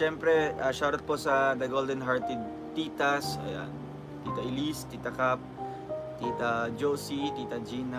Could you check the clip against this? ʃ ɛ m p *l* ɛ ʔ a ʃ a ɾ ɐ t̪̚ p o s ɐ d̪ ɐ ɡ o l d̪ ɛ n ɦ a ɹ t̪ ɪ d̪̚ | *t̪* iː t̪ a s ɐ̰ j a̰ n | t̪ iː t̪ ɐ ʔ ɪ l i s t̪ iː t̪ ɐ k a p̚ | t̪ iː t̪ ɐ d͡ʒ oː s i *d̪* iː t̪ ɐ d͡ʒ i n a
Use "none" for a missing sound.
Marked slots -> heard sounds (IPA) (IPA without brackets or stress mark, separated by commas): ɾ, t̪, t̪